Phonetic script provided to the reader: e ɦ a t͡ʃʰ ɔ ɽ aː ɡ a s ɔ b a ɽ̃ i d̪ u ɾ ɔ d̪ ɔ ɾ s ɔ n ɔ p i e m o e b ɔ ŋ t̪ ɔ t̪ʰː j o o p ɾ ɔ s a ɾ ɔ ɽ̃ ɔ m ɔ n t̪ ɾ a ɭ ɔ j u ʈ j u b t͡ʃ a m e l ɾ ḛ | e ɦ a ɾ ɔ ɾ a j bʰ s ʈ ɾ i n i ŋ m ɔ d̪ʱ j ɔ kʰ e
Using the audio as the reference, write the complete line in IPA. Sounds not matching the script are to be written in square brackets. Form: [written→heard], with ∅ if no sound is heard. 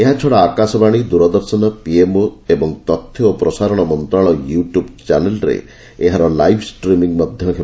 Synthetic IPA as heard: e ɦ a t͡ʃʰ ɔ ɽ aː [ɡ→k] a s ɔ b a ɽ̃ i d̪ u ɾ ɔ d̪ ɔ ɾ s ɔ n ɔ p i e m o e b ɔ ŋ t̪ ɔ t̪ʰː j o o p ɾ ɔ s a ɾ ɔ ɽ̃ ɔ m ɔ n t̪ ɾ a ɭ ɔ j u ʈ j u b t͡ʃ a [m→n] e l ɾ ḛ | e ɦ a ɾ ɔ [ɾ→l] a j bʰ s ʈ ɾ i [n→m] i ŋ m ɔ d̪ʱ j ɔ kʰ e